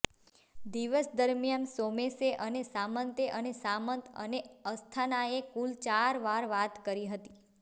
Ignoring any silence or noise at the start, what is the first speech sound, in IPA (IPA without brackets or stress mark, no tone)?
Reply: d̪